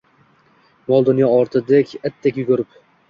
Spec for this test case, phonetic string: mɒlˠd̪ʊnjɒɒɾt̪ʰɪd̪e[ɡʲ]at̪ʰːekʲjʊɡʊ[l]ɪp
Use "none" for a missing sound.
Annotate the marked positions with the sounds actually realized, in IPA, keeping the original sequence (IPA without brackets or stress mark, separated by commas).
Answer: kʲ, ɾ